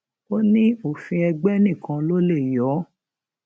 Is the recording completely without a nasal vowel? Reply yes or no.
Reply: no